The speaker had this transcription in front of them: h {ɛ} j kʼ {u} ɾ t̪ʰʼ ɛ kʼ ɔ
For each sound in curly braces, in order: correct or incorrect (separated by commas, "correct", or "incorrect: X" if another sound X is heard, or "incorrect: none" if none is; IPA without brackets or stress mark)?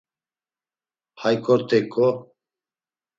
incorrect: a, incorrect: ɔ